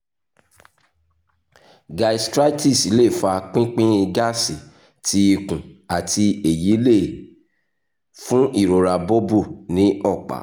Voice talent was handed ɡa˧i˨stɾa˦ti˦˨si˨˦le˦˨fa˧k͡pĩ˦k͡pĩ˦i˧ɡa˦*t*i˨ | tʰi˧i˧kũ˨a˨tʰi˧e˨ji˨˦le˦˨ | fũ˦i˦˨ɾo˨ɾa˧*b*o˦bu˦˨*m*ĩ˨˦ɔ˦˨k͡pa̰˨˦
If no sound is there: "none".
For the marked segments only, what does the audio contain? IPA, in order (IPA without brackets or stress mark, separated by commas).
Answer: s, b, n